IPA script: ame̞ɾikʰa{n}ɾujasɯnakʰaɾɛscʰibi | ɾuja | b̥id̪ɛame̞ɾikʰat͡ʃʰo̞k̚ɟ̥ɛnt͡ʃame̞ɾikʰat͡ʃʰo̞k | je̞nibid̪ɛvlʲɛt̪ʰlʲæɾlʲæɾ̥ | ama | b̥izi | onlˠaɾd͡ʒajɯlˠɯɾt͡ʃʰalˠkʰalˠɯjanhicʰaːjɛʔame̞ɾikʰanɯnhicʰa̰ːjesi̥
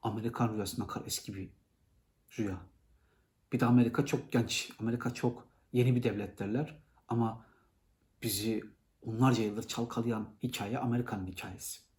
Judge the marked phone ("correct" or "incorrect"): correct